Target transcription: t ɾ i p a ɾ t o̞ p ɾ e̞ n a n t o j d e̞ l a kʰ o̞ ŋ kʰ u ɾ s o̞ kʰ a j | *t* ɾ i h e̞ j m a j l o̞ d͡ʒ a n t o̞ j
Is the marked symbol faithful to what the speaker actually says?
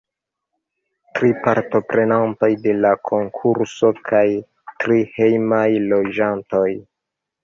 yes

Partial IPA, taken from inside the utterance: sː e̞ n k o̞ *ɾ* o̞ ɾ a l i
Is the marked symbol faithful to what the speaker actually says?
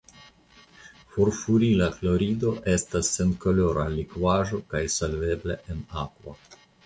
no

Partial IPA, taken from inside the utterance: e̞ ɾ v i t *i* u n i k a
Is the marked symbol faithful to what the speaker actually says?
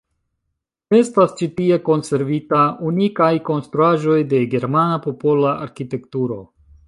no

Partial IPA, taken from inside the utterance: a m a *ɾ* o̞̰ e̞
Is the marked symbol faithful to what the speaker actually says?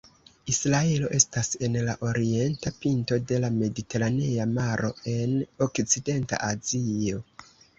yes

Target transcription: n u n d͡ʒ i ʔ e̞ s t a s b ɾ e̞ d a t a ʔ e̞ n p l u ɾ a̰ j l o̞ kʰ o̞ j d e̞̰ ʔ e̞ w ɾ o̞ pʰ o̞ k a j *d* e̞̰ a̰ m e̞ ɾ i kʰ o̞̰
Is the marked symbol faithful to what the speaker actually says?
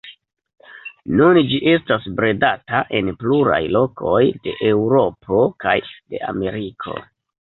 yes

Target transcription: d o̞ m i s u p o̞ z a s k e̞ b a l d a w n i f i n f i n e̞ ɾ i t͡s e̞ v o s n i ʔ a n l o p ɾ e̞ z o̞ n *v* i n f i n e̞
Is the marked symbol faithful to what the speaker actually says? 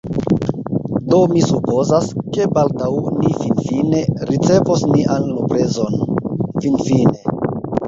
no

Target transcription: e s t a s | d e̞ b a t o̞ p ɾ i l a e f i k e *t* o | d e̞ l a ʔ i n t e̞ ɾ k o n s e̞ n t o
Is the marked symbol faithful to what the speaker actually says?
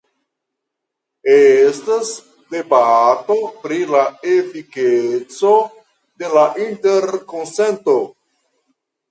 no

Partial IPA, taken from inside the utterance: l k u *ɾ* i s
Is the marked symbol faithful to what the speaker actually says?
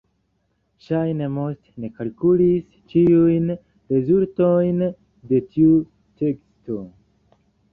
no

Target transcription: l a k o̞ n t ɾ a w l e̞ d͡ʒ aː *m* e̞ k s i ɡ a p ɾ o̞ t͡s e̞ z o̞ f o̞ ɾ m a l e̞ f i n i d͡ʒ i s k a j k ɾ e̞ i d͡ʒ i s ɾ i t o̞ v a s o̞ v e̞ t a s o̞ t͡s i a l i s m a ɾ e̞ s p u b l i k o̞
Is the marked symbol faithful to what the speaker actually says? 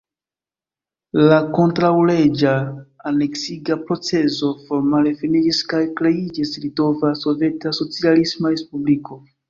no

